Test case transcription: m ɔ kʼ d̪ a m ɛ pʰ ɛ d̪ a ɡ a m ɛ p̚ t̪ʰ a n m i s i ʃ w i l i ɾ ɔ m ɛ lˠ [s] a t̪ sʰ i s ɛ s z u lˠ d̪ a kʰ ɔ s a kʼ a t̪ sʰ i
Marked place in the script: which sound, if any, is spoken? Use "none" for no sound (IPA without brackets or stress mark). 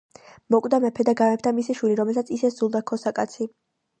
s